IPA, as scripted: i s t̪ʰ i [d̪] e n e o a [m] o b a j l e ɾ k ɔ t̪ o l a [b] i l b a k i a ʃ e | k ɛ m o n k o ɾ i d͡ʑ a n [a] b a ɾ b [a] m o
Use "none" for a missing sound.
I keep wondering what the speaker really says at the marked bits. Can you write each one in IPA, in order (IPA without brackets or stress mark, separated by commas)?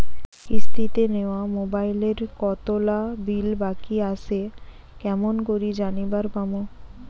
t̪, m, b, i, a